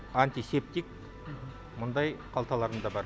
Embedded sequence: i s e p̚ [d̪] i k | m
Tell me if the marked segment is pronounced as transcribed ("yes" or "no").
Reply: no